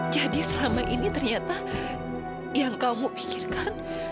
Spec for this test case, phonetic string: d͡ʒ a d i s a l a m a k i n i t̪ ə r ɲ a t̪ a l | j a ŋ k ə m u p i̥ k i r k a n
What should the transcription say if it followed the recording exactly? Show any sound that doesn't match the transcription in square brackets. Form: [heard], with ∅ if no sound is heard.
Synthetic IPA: d͡ʒ a d i s [ə] l a m a [ʔ] i n i t̪ ə r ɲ a t̪ a [∅] | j a ŋ k [a] m u p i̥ k i r k a n